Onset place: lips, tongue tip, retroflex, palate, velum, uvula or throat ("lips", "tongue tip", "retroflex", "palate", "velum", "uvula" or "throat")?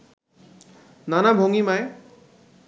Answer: tongue tip